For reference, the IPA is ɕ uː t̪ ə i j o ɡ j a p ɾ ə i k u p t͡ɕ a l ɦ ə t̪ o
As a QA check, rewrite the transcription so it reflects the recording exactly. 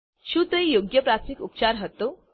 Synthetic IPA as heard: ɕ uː t̪ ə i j o ɡ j ə p ɾ a i k u p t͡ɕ a ɾ ɦ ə t̪ o